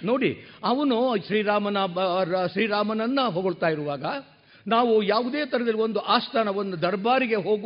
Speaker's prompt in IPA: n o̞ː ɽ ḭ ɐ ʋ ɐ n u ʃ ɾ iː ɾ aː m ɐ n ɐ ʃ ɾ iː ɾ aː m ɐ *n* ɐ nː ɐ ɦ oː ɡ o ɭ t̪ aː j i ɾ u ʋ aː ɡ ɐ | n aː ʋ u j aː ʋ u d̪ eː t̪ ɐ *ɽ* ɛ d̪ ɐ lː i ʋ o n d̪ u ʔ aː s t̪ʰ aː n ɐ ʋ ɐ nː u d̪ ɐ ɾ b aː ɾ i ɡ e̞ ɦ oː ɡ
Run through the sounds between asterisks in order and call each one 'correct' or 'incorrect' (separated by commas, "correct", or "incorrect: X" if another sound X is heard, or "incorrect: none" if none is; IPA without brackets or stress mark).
correct, incorrect: ɾ